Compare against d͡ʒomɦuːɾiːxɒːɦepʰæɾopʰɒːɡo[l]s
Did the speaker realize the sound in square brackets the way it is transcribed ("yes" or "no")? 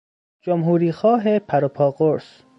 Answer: no